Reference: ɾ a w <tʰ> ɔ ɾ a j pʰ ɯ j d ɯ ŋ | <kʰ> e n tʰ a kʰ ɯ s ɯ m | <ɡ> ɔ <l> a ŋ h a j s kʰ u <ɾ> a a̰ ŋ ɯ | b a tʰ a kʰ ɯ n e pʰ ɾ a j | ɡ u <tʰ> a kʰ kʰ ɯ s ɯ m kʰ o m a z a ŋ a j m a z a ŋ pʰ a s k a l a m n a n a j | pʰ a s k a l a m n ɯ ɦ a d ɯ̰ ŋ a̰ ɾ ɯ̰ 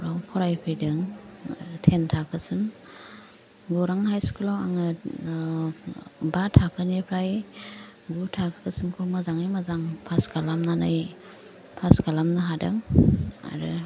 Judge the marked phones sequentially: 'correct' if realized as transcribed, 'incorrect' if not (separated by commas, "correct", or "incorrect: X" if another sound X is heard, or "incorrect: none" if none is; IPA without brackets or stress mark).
incorrect: pʰ, incorrect: tʰ, correct, incorrect: ɾ, incorrect: l, correct